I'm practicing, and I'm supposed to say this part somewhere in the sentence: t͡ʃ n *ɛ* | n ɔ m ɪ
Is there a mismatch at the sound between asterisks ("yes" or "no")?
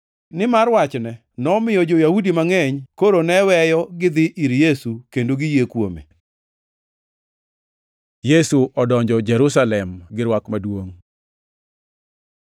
no